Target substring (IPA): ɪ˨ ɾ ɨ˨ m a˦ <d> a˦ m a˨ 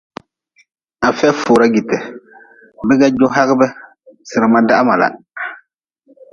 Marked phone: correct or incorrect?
correct